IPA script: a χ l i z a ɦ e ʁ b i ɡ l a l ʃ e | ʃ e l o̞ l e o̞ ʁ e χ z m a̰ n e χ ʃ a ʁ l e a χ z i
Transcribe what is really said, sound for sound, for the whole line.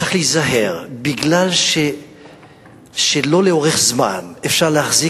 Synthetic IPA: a χ l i z a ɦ e ʁ b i ɡ l a l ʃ e | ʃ e l o̞ l e o̞ ʁ e χ z m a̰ n e f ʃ a ʁ l e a χ z i